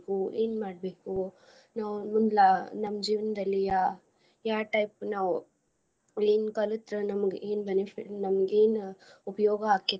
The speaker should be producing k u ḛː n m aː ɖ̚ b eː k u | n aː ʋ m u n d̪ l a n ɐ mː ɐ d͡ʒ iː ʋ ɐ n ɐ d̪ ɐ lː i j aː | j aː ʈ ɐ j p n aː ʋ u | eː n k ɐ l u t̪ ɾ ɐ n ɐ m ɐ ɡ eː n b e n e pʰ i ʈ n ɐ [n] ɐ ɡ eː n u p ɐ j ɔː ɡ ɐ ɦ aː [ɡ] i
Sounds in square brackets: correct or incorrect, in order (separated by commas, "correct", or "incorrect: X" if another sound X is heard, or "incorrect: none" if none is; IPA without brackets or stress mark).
incorrect: m, incorrect: k